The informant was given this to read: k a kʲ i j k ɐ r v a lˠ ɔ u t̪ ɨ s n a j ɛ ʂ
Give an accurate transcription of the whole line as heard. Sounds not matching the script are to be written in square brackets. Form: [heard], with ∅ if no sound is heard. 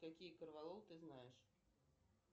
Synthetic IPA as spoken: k a kʲ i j k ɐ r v a lˠ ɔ [w] t̪ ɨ [z] n a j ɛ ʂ